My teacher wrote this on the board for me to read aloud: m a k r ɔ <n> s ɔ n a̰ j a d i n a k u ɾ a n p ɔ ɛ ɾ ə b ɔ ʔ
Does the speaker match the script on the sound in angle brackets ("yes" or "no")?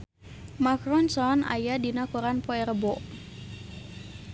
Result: yes